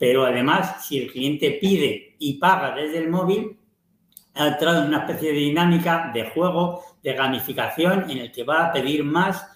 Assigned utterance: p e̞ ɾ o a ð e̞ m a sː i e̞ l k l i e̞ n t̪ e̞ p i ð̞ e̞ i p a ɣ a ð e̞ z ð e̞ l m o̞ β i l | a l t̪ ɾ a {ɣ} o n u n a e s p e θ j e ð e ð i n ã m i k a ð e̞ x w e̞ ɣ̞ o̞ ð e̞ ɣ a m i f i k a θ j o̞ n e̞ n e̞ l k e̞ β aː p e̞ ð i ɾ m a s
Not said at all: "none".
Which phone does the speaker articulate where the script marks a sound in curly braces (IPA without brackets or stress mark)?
ð